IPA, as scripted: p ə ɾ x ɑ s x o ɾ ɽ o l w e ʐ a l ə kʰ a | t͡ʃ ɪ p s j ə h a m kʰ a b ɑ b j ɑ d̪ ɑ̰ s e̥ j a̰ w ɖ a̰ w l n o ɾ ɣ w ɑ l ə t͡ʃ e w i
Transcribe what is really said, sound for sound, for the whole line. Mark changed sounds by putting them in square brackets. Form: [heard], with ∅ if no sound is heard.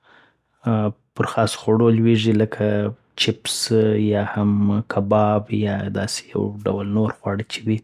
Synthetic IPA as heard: p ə ɾ x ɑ s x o [∅] ɽ o l w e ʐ [i] l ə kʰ a | t͡ʃ ɪ p s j [ɑ] h a m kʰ a b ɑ b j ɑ d̪ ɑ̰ s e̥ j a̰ w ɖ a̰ w l n o ɾ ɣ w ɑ [ɽ] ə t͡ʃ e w i